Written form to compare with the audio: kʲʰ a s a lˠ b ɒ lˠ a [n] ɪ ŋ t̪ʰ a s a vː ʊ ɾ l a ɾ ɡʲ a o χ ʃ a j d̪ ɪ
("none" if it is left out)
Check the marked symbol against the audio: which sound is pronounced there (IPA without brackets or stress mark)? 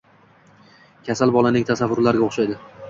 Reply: n